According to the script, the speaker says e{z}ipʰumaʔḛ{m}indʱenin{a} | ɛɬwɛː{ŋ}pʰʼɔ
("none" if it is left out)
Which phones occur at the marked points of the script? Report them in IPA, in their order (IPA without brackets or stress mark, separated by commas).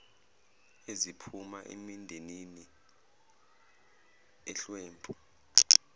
z, m, i, m